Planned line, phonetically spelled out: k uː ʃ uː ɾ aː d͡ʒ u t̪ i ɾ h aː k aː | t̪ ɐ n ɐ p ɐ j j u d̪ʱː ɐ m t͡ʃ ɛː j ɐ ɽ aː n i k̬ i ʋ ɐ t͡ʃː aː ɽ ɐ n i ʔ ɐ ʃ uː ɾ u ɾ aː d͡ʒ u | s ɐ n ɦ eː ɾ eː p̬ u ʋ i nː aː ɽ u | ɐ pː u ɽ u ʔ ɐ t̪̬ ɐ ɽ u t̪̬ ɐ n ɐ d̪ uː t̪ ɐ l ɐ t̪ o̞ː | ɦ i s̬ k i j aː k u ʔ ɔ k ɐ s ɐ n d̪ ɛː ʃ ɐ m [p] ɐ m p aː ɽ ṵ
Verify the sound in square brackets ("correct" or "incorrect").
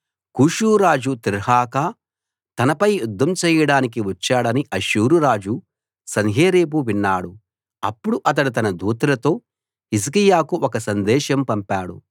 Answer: correct